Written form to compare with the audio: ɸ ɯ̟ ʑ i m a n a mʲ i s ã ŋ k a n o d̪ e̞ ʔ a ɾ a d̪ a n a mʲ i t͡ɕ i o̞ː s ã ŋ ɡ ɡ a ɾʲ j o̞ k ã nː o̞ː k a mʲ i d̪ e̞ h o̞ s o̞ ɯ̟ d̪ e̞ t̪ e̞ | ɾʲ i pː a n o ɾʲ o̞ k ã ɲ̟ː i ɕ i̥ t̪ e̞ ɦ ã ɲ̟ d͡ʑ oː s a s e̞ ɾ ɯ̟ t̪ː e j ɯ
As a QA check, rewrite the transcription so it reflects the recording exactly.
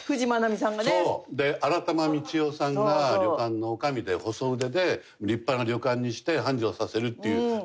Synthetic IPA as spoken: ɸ ɯ̟ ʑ i m a n a mʲ i s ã ŋ ɡ a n o d̪ e̞ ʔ a ɾ a t̪ a m a mʲ i t͡ɕ i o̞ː s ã ŋ ɡ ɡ a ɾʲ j o̞ k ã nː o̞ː k a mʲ i d̪ e̞ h o̞ s o̞ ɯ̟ d̪ e̞ d̪ e̞ | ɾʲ i pː a n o ɾʲ o̞ k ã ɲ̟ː i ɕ i̥ t̪ e̞ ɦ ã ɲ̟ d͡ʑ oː s a s e̞ ɾ ɯ̟ t̪ː e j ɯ